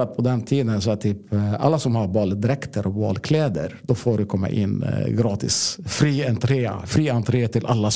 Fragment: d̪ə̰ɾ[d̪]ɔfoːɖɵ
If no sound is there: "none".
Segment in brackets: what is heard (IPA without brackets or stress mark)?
d̪